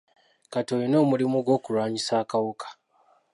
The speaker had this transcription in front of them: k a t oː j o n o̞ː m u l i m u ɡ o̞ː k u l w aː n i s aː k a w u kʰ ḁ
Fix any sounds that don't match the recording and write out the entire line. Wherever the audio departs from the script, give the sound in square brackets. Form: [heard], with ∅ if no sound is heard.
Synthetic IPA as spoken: k a t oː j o n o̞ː m u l i m u ɡ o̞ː k u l w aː [ɲ] i s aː k a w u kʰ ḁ